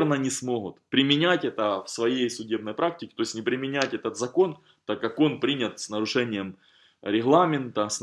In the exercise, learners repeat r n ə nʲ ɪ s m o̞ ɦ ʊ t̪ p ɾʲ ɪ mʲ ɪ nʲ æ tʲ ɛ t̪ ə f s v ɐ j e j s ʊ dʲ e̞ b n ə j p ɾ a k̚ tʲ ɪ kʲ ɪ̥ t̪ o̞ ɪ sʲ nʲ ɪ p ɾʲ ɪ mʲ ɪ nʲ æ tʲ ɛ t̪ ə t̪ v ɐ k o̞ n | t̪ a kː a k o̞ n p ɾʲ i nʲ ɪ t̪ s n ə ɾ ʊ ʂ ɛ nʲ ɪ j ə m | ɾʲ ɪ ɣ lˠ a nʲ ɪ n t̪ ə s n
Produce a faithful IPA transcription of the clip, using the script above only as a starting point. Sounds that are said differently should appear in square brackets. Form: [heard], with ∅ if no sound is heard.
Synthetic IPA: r n ə nʲ ɪ s m o̞ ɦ ʊ t̪ p ɾʲ ɪ mʲ ɪ nʲ æ tʲ ɛ t̪ ə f s v ɐ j e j s ʊ dʲ e̞ b n ə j p ɾ a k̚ tʲ ɪ kʲ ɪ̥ t̪ o̞ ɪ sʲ nʲ ɪ p ɾʲ ɪ mʲ ɪ nʲ æ tʲ ɛ t̪ ə t̪ [z] ɐ k o̞ n | t̪ a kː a k o̞ n p ɾʲ i nʲ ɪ t̪ s n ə ɾ ʊ ʂ ɛ nʲ ɪ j ə m | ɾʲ ɪ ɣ lˠ a [mʲ] ɪ n t̪ ə s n